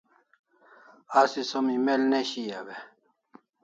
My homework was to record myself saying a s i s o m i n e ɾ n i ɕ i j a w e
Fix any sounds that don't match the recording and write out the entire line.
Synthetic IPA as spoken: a s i s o m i m e l n e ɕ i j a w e